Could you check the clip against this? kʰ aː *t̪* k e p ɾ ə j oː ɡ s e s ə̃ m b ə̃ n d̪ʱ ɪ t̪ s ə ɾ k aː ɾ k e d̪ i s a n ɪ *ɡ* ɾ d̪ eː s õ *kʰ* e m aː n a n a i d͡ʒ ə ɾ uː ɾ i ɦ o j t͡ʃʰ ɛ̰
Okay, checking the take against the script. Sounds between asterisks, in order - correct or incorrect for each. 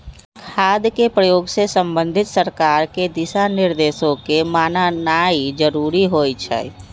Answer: incorrect: d̪, incorrect: none, incorrect: k

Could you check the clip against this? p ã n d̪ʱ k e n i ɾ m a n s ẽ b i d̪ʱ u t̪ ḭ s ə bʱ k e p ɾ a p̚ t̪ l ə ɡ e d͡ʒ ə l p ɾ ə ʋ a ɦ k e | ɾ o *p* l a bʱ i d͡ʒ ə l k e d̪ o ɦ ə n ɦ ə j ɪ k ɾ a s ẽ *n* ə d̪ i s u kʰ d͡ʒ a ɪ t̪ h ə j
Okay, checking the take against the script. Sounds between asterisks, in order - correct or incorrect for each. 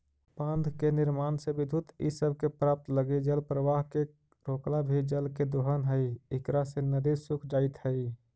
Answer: incorrect: k, correct

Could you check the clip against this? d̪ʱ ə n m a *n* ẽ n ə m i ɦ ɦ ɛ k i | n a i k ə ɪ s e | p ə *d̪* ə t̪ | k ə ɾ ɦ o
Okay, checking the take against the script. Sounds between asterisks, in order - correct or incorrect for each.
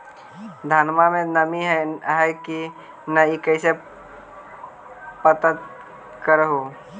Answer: incorrect: m, incorrect: t̪

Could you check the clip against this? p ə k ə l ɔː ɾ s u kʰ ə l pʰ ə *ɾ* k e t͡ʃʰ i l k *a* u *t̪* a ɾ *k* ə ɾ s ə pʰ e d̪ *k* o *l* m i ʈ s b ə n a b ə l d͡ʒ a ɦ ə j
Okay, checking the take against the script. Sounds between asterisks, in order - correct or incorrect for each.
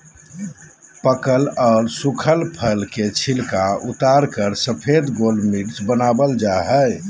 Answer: incorrect: l, correct, correct, correct, incorrect: ɡ, correct

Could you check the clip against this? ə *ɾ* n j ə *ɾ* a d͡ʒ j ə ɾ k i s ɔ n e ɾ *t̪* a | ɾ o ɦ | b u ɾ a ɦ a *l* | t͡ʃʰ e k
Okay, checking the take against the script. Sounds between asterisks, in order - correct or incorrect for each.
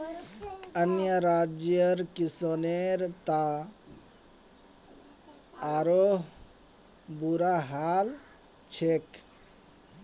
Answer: incorrect: none, correct, correct, correct

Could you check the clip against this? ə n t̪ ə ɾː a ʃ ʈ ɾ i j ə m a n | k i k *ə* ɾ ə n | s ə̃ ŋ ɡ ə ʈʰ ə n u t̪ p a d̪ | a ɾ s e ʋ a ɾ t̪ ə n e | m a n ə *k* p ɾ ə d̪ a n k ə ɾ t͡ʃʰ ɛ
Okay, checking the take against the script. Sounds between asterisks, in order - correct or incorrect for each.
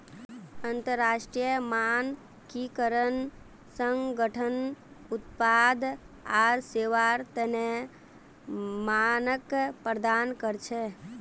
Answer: correct, correct

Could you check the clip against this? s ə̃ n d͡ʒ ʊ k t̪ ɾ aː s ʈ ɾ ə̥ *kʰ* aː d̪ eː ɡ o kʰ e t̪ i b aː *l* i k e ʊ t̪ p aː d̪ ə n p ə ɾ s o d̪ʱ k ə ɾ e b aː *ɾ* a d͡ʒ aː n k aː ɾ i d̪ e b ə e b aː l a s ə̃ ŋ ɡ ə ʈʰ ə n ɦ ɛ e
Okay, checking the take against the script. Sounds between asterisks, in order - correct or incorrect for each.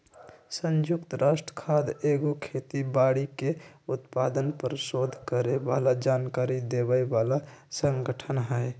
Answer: correct, incorrect: ɽ, incorrect: l

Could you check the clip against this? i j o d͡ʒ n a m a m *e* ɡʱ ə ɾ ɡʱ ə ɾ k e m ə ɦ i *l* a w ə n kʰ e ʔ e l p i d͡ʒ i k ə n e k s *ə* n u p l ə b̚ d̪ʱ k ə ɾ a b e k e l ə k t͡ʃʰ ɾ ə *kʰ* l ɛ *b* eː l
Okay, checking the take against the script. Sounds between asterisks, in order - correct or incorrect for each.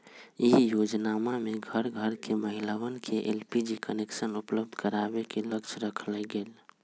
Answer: correct, correct, correct, correct, incorrect: ɡ

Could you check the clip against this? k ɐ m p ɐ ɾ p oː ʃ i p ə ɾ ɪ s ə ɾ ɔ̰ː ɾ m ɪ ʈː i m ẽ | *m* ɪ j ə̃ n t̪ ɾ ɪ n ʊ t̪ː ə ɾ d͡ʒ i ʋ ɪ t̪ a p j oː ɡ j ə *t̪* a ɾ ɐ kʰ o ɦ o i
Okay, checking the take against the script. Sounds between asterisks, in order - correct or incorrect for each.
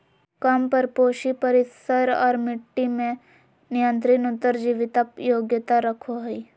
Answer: incorrect: n, correct

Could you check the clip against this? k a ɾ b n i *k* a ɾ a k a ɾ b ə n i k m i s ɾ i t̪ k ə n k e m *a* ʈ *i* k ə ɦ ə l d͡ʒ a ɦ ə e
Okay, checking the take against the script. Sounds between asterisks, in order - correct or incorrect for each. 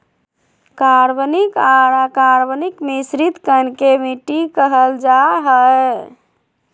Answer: correct, incorrect: i, correct

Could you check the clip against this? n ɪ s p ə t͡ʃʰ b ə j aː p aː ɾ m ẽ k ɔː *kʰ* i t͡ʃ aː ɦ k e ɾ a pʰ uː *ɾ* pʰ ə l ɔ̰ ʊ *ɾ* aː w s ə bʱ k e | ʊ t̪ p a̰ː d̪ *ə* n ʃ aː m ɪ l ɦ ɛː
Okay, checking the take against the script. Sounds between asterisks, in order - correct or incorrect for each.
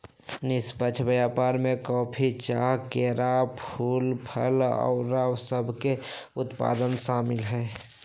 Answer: incorrect: pʰ, incorrect: l, correct, correct

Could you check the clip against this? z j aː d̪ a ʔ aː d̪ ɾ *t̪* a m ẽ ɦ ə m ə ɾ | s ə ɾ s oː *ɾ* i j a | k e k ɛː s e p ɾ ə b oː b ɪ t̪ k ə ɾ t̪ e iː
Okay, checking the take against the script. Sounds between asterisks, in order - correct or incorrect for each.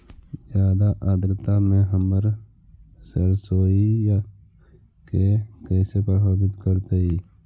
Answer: correct, incorrect: none

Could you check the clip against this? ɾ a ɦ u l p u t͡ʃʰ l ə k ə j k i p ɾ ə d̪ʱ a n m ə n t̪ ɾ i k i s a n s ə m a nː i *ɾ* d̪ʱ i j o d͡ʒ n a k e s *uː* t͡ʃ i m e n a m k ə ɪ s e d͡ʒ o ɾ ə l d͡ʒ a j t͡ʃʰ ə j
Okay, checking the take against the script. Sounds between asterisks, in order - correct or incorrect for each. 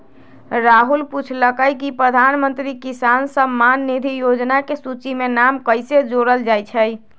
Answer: incorrect: none, incorrect: u

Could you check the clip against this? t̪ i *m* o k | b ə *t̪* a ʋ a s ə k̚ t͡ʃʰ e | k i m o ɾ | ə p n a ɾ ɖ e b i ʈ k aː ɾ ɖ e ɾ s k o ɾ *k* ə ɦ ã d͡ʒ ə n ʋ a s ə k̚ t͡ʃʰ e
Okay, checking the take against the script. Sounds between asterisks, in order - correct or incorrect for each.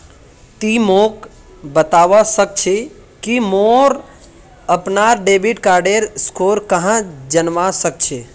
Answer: correct, correct, correct

